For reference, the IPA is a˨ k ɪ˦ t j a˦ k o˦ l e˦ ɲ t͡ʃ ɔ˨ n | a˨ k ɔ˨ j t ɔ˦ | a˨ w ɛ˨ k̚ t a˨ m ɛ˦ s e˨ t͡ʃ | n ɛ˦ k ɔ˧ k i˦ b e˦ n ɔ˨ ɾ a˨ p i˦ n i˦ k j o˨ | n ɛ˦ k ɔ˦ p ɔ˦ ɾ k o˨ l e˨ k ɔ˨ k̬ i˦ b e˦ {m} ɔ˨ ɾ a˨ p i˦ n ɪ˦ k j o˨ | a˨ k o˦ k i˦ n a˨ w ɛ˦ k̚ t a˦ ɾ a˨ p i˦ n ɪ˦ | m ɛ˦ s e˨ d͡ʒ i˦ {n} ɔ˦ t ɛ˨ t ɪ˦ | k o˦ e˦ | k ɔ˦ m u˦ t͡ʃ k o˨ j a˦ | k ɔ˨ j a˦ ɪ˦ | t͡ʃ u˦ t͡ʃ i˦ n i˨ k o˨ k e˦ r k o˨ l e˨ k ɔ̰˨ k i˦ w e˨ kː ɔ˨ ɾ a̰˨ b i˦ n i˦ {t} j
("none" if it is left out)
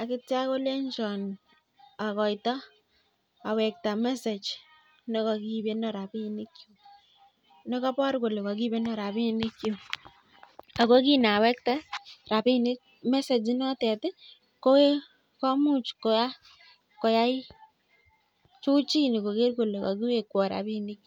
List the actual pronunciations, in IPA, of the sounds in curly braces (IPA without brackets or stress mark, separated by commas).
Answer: n, n, k